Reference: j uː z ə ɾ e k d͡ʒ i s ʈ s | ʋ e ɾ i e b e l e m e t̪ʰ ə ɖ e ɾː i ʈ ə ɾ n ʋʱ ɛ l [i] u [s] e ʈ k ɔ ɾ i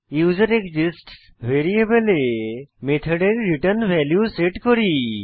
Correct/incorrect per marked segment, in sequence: incorrect, correct

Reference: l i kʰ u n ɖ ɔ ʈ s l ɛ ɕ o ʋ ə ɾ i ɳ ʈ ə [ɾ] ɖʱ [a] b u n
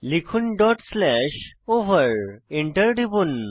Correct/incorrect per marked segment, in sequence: correct, incorrect

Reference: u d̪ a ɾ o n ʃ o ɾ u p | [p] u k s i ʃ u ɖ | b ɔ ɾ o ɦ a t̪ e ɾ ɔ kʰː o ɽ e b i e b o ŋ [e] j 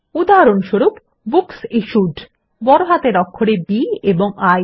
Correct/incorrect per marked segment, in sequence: incorrect, incorrect

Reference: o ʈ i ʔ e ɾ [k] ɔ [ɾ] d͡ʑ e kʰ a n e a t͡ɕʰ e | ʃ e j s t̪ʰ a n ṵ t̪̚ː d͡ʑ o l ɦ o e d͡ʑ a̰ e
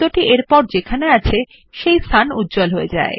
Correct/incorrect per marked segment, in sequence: incorrect, correct

